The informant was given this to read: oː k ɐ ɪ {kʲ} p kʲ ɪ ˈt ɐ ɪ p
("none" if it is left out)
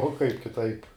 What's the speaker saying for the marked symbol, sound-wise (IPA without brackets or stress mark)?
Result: none